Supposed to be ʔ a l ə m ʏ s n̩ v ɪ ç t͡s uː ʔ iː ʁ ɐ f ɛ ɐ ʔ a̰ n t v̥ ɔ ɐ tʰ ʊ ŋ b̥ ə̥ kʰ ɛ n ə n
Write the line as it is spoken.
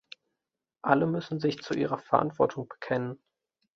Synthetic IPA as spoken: ʔ a l ə m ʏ s n̩ z ɪ ç t͡s u ʔ iː ʁ ɐ f ɛ ɐ ʔ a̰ n t v̥ ɔ ɐ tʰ ʊ ŋ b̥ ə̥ kʰ ɛ n ə n